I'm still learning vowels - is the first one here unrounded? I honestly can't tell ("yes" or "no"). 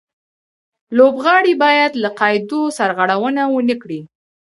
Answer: no